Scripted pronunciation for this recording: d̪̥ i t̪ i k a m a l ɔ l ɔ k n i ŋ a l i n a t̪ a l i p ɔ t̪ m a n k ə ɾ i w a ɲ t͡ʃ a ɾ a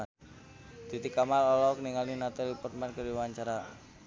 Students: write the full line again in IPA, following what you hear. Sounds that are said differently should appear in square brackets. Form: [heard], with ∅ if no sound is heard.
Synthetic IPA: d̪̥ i t̪ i k a m a l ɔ l ɔ k n i ŋ a l i n a t̪ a l i p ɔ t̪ m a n k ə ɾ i w a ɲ t͡ʃ a ɾ a